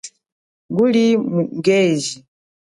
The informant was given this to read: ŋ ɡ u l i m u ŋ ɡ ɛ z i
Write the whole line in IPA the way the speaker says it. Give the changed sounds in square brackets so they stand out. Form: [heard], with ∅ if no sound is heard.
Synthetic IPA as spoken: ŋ ɡ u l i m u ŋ ɡ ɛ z i